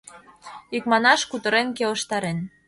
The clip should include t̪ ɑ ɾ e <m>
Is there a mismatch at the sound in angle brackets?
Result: yes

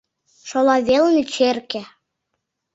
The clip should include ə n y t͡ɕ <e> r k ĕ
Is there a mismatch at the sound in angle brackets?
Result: no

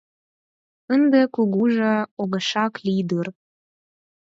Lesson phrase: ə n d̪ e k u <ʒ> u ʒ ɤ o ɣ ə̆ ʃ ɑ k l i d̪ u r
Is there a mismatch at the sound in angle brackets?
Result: yes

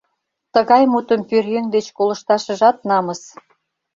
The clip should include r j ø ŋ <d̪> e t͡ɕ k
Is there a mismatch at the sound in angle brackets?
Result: no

